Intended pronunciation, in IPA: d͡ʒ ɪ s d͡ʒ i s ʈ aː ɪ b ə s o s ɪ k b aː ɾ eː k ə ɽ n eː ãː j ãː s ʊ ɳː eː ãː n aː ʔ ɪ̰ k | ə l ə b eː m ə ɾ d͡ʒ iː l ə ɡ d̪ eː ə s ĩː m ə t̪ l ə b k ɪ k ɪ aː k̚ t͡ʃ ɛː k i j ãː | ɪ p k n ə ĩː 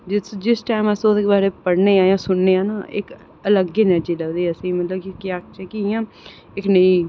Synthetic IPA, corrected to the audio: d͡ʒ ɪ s d͡ʒ ɪ s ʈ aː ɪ m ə s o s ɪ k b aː ɾ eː p ə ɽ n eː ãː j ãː s ʊ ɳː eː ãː n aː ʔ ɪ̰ k | ə l ə ɡ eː n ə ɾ d͡ʒ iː l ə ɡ d̪ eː ə s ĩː m ə t̪ l ə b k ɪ k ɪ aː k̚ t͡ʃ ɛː k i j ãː | ɪ k n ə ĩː